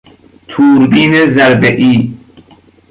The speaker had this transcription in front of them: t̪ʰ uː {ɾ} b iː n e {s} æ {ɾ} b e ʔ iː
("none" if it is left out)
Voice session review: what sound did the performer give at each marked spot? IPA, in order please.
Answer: ɾ, z, ɾ

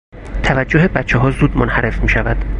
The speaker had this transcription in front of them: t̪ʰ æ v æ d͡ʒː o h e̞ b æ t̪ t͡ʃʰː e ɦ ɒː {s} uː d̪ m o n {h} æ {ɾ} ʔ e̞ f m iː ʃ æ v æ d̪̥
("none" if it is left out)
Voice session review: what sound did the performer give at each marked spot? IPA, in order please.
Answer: z, h, ɾ

